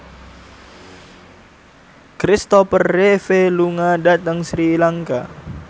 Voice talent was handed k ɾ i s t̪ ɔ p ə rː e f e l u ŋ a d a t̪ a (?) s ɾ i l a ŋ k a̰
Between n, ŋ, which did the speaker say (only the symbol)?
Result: ŋ